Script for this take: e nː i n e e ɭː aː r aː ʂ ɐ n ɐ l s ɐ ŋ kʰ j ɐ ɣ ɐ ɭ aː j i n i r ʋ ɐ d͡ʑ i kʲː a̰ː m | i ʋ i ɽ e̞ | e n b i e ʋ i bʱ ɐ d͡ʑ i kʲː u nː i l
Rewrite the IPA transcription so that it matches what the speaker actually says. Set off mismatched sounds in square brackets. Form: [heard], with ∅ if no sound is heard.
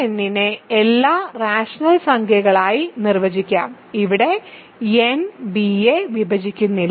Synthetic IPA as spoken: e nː i n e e [lː] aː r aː ʂ ɐ n ɐ l s ɐ ŋ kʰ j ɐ ɣ ɐ ɭ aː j i n i r ʋ ɐ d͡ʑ i kʲː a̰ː m | i ʋ i ɽ e̞ | e n b i e ʋ i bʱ ɐ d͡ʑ i kʲː u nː i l